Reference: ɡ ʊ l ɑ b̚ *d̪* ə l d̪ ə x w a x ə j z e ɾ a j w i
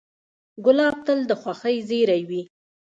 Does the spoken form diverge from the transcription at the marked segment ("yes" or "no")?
yes